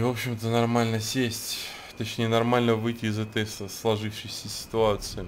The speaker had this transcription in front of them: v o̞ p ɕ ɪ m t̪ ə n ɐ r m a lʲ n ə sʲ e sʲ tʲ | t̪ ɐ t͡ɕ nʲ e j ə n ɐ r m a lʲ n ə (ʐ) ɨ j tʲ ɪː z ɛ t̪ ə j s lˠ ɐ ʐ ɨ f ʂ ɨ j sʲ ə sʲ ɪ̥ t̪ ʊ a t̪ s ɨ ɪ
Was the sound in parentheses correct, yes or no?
no